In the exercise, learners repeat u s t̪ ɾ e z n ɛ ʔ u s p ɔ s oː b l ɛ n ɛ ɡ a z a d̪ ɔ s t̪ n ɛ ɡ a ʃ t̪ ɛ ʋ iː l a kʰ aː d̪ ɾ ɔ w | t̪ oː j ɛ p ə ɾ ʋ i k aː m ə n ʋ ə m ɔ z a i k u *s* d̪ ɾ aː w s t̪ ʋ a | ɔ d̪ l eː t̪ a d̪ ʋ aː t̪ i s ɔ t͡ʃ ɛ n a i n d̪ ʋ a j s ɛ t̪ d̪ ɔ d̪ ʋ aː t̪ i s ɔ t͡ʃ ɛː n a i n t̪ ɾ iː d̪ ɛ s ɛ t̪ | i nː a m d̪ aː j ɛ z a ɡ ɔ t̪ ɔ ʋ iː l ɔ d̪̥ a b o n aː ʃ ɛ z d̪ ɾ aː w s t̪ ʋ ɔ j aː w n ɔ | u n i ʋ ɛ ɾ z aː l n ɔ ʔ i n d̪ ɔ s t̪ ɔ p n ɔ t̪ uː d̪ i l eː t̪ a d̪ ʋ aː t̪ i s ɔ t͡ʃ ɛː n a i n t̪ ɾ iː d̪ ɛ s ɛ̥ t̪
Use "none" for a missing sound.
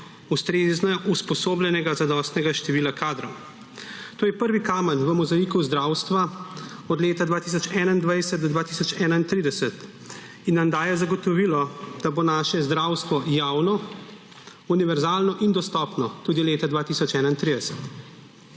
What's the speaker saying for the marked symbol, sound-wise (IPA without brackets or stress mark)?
z